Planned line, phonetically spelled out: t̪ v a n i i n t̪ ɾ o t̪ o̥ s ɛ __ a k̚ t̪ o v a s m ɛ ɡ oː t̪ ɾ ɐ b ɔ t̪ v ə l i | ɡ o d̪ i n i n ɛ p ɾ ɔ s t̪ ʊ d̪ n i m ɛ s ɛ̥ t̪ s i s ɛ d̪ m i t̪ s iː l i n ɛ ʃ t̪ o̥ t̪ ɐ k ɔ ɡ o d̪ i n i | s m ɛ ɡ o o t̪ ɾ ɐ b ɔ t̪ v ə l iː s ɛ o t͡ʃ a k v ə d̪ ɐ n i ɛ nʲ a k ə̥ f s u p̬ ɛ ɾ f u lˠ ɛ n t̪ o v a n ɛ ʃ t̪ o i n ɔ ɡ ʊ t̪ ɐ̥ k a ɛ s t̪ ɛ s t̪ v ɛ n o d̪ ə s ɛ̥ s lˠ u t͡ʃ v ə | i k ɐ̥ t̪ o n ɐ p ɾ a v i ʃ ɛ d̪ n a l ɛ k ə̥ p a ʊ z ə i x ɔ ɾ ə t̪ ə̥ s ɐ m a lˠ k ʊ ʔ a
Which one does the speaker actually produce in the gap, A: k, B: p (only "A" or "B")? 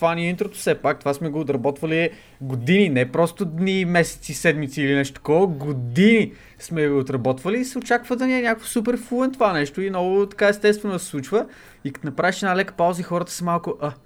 B